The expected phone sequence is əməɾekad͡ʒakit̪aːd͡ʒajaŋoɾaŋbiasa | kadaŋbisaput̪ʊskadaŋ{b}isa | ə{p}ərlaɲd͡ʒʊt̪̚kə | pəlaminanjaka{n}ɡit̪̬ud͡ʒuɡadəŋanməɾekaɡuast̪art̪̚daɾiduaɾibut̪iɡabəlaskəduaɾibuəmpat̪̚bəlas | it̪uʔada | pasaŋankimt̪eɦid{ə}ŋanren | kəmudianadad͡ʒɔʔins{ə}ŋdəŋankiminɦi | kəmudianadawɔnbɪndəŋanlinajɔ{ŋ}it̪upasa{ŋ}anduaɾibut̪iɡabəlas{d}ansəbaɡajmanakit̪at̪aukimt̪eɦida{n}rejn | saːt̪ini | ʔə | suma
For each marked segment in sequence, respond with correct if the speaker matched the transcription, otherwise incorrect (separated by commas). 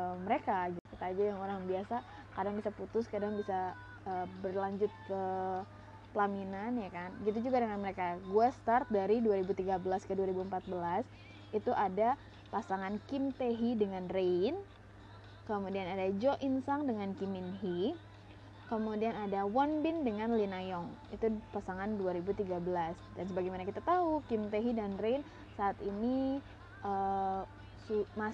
correct, incorrect, correct, correct, incorrect, correct, correct, correct, correct